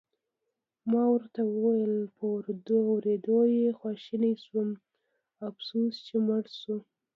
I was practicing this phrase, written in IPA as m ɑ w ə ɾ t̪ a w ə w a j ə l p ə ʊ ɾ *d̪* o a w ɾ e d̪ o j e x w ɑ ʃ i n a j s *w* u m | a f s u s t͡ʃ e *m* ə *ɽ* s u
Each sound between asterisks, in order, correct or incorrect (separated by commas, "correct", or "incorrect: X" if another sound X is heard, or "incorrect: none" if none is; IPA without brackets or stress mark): correct, correct, correct, correct